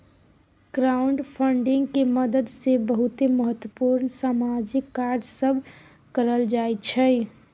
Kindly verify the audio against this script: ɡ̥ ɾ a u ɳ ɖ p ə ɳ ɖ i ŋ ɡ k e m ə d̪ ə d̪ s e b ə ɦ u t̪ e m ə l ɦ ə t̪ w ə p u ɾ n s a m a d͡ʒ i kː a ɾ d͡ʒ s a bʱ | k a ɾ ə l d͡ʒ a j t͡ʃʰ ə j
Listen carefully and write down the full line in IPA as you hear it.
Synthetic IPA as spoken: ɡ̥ ɾ a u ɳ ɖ pʰ ə ɳ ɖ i ŋ ɡ k e m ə d̪ ə d̪ s e b ə ɦ u t̪ e m ə ɦ ə t̪ w ə p u ɾ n s a m a d͡ʒ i kː a ɾ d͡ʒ s ə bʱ | k ə ɾ ə l d͡ʒ a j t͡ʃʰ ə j